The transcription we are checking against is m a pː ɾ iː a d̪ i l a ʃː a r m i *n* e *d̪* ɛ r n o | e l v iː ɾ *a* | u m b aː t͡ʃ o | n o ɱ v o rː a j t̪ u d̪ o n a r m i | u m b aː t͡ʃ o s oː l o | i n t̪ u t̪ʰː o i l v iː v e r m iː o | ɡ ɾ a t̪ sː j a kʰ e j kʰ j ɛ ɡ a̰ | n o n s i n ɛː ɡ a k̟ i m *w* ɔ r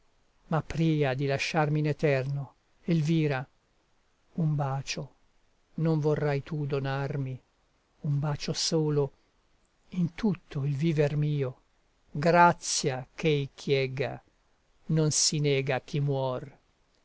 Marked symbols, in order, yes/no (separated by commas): yes, no, yes, yes